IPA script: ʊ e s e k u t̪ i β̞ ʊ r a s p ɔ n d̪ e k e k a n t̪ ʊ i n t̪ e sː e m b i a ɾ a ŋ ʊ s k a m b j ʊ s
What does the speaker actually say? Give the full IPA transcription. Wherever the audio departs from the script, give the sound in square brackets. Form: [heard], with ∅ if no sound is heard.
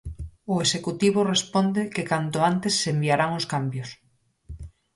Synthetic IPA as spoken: ʊ e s e k u t̪ i β̞ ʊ r [e] s p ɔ n d̪ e k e k a n t̪ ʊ [a] n t̪ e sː e m b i a ɾ a ŋ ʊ s k a m b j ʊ s